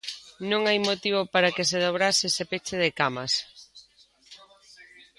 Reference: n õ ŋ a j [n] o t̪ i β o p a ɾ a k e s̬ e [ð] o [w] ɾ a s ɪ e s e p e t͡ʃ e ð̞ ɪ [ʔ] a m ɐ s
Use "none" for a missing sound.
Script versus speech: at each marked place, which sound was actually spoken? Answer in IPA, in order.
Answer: m, ð, β, k

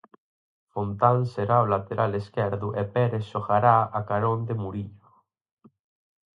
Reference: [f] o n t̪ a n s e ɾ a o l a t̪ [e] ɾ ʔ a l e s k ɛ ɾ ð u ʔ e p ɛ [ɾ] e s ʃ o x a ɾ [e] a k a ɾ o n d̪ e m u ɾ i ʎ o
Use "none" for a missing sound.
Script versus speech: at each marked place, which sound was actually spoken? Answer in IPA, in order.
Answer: f, e, ɾ, a

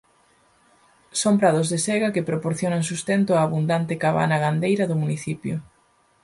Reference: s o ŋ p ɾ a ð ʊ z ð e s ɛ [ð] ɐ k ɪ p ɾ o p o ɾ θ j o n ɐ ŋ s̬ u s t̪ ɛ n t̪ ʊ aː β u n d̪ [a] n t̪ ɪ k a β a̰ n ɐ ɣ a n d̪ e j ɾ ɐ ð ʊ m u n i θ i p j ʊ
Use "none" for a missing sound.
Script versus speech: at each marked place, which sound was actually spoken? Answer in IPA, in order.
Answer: ɣ, a

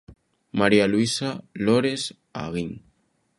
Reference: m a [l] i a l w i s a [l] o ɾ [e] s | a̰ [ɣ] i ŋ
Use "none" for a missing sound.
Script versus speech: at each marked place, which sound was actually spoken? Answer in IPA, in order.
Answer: ɾ, l, e, ɣ

